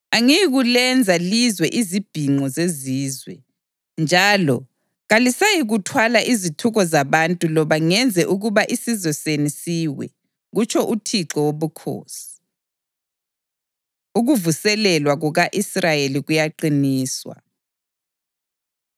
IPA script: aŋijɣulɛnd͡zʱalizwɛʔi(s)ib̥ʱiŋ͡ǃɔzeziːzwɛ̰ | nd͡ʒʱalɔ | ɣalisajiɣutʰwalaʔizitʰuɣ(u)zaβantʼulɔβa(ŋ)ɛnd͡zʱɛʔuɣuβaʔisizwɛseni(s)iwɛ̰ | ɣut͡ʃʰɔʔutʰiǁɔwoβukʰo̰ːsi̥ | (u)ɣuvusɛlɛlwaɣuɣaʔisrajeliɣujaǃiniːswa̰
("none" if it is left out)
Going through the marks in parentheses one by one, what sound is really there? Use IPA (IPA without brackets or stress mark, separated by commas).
z, ɔ, ŋ, s, u